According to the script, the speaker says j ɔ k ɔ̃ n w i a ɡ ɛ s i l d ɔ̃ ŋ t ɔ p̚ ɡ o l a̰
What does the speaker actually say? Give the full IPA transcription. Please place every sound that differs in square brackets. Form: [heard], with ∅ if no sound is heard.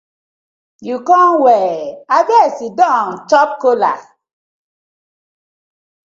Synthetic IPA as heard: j [u] k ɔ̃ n w [ɛ] a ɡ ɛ s i [∅] d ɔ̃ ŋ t ɔ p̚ [k] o l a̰

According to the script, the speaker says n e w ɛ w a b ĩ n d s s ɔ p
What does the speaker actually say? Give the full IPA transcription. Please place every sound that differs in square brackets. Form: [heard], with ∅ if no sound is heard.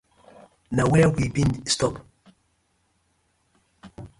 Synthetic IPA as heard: n [a] w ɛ w [i] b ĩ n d s [t] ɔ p

